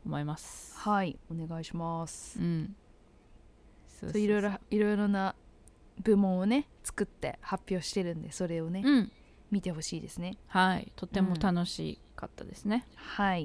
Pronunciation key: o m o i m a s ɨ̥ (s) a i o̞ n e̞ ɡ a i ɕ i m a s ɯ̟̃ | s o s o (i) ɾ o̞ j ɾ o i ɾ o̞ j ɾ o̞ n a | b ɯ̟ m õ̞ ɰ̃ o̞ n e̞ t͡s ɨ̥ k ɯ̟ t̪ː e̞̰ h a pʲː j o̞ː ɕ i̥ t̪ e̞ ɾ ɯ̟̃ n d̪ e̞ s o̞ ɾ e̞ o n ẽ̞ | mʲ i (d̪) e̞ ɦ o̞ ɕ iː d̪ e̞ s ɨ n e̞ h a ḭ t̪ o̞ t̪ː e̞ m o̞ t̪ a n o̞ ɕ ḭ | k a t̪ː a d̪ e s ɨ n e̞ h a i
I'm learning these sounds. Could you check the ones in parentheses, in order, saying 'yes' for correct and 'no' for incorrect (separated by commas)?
no, yes, no